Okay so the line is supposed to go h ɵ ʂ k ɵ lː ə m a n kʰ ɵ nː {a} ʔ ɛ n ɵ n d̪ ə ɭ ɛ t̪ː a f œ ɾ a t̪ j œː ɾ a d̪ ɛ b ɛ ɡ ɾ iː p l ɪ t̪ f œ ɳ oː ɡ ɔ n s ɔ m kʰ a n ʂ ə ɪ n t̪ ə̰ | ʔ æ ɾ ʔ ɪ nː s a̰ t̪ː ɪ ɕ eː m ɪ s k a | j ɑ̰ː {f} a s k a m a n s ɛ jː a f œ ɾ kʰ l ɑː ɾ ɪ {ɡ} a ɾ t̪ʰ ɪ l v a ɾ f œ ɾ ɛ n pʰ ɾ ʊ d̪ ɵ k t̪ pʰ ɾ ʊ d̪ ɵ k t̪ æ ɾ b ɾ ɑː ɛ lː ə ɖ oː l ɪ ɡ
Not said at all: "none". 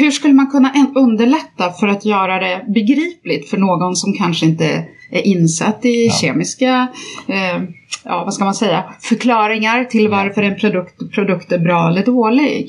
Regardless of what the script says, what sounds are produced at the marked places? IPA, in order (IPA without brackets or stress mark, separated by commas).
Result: a, v, ŋ